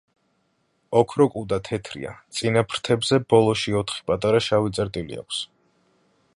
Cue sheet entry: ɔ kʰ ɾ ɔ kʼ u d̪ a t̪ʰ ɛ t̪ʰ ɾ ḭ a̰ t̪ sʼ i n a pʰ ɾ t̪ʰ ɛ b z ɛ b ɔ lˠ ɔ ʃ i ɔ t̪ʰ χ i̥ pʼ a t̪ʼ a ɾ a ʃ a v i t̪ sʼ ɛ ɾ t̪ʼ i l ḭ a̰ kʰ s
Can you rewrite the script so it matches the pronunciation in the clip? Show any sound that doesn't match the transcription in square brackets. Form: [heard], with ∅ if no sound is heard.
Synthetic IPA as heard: ɔ kʰ ɾ ɔ kʼ u d̪ a t̪ʰ ɛ t̪ʰ ɾ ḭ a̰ t̪ sʼ i n a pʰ ɾ t̪ʰ ɛ b z ɛ b ɔ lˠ ɔ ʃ i ɔ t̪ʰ χ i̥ pʼ a t̪ʼ a ɾ a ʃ a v i t̪ sʼ ɛ ɾ t̪ʼ i l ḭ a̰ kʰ s